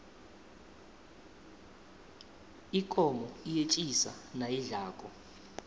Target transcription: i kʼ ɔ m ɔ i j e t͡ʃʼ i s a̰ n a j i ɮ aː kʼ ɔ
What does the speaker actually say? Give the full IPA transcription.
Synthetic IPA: i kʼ ɔ m ɔ i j e t͡ʃʼ i s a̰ n a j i ɮ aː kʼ ɔ